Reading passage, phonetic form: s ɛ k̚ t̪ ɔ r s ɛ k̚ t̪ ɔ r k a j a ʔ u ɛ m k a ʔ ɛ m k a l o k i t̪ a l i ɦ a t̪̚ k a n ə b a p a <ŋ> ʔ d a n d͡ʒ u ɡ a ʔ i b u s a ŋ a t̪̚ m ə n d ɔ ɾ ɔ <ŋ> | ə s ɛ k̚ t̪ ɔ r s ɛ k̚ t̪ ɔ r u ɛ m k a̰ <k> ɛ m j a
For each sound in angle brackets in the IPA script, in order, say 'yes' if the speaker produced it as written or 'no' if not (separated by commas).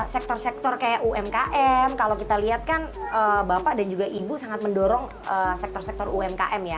no, yes, no